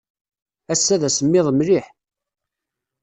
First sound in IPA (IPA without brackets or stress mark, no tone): æ